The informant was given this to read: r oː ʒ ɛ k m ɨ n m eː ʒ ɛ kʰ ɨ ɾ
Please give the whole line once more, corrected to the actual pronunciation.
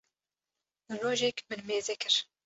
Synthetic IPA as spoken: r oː ʒ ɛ k m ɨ n m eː z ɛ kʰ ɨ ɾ